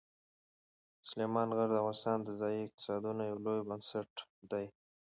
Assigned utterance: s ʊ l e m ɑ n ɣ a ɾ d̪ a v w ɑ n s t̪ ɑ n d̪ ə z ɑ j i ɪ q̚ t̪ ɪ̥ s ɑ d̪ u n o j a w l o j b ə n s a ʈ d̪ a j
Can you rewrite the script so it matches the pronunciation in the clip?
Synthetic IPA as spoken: s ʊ l e m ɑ n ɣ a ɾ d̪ a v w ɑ n s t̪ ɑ n d̪ ə z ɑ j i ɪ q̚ t̪ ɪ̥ s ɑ d̪ u n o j a w l o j b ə n s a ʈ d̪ a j

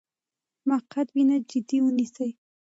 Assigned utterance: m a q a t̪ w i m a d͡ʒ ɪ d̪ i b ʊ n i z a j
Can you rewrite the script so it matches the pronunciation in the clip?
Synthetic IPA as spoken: m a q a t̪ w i n a d͡ʒ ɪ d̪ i w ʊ n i s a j

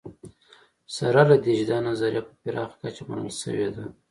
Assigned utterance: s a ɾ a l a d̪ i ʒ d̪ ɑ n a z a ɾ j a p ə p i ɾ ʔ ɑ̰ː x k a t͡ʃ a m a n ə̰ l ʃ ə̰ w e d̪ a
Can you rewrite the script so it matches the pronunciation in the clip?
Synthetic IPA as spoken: s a ɾ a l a d̪ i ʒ d̪ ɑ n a z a ɾ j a p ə p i ɾ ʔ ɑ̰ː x k a t͡ʃ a m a n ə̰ l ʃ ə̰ w e d̪ a

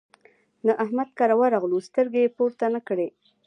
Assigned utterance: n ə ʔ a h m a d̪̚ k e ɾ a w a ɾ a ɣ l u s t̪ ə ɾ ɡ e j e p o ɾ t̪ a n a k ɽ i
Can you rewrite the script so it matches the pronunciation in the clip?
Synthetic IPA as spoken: n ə ʔ a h m a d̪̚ k a ɾ a w a ɾ a ɣ l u s t̪ ə ɾ ɡ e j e p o ɾ t̪ a n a k ɽ e

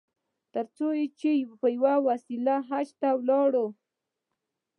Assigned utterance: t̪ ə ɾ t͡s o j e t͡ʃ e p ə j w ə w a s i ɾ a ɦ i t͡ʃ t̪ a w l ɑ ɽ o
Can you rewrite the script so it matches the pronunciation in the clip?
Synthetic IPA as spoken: t̪ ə ɾ t͡s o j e t͡ʃ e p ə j w a w a s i l a ɦ a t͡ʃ t̪ a w l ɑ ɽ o

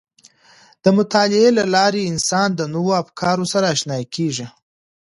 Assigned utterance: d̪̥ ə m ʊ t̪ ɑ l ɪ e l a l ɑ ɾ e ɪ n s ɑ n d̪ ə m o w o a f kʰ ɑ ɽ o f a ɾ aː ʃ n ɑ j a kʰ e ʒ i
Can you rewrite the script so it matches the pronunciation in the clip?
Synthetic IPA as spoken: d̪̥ ə m ʊ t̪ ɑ l ɪ e l a l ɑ ɾ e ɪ n s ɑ n d̪ ə n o w o a f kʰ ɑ ɾ o s a ɾ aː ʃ n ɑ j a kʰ e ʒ i

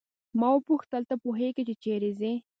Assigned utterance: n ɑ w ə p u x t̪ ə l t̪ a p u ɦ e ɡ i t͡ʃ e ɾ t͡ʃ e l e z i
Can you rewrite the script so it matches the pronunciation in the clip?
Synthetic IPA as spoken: m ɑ w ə p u x t̪ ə l t̪ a p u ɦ e ɡ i t͡ʃ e t͡ʃ e ɾ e z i

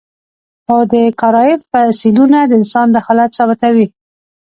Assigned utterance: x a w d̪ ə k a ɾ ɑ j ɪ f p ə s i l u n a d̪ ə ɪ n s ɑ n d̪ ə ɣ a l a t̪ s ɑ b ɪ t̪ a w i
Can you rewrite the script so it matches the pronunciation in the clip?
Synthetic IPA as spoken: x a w d̪ ə k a ɾ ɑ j ɪ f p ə s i l u n a d̪ ə ɪ n s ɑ n d̪ ə x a l a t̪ s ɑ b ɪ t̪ a w i

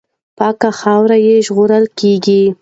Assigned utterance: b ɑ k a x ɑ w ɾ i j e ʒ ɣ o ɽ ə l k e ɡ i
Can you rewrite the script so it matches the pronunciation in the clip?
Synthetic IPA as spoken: p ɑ k a x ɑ w ɾ a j e ʒ ɣ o ɾ ə l k e ɡ i

